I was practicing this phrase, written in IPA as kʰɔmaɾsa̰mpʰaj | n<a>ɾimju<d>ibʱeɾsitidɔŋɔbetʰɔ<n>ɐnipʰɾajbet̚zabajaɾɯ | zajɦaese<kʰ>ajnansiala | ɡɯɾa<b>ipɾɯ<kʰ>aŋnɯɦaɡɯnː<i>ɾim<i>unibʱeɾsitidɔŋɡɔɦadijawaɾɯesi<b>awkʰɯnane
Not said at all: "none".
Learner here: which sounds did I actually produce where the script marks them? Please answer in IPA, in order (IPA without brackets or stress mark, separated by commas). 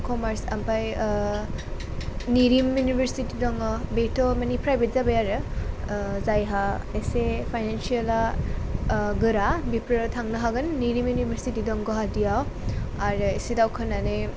i, n, m, pʰ, b, tʰ, i, j, d